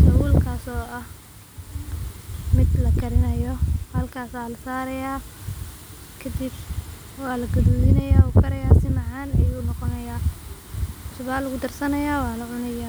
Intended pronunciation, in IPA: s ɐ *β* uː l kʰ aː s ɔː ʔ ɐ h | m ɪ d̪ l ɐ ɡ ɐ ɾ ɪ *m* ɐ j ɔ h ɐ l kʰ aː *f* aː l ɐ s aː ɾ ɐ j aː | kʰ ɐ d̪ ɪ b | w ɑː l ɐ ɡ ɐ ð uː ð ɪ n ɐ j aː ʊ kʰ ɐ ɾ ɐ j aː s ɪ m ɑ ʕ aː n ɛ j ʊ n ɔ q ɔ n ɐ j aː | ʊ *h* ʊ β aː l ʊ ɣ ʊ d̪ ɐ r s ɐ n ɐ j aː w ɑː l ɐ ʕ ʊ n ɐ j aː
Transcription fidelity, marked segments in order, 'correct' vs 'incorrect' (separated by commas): incorrect, incorrect, incorrect, incorrect